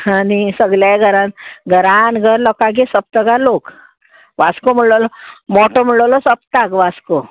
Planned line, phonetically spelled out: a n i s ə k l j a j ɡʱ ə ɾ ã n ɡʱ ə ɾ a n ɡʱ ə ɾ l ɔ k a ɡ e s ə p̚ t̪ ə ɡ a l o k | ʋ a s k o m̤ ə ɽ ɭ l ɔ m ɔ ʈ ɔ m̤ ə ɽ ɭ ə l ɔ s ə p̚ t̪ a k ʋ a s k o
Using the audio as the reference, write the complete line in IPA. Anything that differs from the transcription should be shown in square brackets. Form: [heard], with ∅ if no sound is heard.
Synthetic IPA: a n i s ə [ɡ] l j a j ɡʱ ə ɾ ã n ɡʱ ə ɾ a n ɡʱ ə ɾ l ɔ k a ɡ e s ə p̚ t̪ ə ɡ a l o k | ʋ a s k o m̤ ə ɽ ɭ l ɔ m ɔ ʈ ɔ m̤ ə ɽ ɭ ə l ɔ s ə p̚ t̪ a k ʋ a s k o